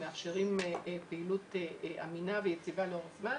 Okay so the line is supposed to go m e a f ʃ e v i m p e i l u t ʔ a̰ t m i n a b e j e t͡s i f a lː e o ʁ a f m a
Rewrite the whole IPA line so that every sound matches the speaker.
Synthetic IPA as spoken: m e a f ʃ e ʁ i m p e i l u t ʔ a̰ m i n a v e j e t͡s i v a l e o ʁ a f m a

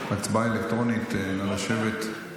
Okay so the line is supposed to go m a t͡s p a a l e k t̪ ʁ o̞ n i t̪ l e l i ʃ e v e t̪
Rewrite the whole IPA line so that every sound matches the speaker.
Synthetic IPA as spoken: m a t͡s b a e l e k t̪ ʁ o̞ n i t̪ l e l a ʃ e v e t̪

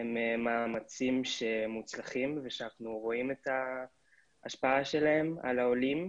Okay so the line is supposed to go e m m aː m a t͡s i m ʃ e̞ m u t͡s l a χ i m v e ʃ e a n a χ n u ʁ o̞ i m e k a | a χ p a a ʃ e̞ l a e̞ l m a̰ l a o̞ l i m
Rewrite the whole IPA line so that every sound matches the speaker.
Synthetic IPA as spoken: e m m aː m a t͡s i m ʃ e̞ m u t͡s l a χ i m v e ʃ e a n a χ n u ʁ o̞ i m e t a | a ʃ p a a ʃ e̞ l a e̞ m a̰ l a o̞ l i m

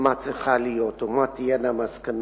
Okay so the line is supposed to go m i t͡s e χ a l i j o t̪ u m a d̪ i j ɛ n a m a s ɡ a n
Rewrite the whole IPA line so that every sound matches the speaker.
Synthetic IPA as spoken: m a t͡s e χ a l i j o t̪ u m a t̪ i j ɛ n a m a s k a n

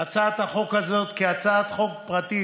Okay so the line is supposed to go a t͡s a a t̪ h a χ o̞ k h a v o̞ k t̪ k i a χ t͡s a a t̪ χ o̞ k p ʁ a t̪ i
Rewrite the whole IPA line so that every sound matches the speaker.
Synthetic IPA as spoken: a t͡s a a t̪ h a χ o̞ k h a z o̞ t̪ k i a t͡s a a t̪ χ o̞ k p ʁ a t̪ i

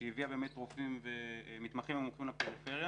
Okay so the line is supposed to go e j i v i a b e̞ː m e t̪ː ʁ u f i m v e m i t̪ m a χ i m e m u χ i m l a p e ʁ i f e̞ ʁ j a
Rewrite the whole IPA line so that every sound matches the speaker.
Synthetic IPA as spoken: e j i v i a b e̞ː m e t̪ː ʁ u f i m v e m i t̪ m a χ i m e m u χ i m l a p e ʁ i f e̞ ʁ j a

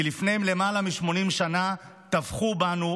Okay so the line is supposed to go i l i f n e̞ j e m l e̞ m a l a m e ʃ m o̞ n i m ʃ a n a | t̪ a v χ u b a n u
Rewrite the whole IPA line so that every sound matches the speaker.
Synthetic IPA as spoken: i l i f n e̞ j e m l e̞ m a l a m i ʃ m o̞ n i m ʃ a n a | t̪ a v χ u b a n u

